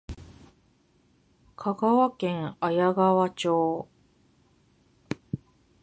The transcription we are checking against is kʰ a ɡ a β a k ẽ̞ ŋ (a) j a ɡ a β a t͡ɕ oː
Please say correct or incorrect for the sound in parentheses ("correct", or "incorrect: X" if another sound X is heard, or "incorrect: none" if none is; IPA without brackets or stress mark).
correct